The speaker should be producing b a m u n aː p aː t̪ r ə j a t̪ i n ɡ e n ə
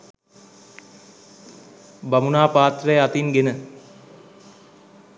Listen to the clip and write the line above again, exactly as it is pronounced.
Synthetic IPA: b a m u n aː p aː t̪ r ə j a t̪ i n ɡ e n ə